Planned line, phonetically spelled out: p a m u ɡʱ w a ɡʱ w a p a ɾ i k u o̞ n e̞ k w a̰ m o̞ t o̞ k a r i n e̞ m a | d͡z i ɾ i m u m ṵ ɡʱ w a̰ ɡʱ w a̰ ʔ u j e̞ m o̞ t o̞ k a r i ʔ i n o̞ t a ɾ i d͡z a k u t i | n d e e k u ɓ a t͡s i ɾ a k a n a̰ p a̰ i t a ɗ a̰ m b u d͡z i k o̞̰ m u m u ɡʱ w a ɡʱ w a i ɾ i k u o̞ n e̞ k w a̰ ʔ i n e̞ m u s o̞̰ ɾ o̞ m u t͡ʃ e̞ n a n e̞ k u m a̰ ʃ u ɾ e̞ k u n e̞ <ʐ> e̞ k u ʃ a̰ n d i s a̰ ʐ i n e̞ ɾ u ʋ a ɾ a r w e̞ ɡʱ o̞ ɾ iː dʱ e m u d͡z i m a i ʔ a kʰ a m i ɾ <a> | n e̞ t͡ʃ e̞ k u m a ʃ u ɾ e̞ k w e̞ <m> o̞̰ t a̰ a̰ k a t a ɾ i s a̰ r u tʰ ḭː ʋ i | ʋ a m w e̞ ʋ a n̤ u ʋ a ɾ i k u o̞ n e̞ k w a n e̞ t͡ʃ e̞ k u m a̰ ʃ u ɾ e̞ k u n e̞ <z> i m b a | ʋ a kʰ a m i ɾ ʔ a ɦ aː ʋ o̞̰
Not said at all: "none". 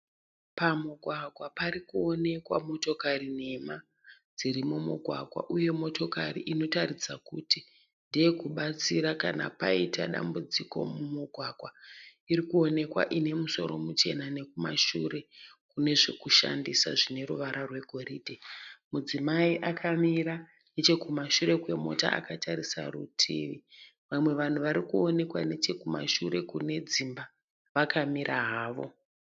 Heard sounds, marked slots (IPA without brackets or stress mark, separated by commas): ʐ, a, m, d͡z